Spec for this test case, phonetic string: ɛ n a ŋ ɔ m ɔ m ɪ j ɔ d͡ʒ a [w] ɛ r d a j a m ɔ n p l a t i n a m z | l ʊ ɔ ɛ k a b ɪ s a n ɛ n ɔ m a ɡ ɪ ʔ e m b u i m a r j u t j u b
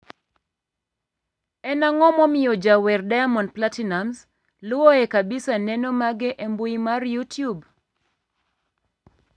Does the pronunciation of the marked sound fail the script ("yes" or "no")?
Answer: no